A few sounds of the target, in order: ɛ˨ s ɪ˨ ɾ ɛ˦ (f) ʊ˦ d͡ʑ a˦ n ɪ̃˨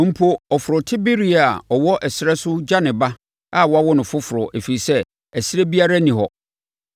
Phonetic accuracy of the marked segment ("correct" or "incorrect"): incorrect